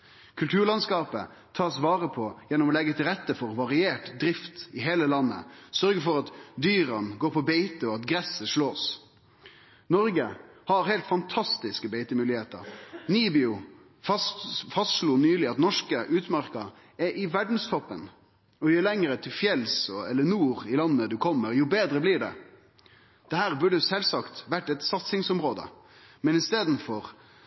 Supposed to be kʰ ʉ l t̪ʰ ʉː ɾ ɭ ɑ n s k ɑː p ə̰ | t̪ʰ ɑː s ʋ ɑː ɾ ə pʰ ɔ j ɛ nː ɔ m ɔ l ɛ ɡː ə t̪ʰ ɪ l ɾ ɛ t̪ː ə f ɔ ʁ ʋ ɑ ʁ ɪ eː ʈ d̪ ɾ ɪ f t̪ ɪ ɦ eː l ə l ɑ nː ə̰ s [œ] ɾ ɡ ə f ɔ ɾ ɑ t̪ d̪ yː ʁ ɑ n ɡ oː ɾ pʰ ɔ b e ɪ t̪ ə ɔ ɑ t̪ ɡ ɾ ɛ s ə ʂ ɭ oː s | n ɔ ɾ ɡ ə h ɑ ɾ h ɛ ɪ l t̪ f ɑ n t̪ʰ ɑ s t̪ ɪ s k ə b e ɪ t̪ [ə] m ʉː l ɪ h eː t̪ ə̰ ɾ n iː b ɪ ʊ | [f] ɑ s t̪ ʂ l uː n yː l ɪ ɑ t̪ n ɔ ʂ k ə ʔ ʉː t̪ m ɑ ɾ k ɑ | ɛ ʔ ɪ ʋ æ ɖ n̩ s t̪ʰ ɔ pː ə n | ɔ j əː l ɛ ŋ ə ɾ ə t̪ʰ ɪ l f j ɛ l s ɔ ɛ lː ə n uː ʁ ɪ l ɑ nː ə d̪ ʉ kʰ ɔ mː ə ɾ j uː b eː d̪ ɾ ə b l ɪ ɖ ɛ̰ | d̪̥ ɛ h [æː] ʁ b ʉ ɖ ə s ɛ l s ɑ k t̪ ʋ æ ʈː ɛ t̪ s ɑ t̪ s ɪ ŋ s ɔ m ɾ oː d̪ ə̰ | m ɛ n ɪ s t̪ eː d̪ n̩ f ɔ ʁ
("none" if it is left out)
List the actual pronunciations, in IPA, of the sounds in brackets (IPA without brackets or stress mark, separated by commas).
œ, ə, f, æː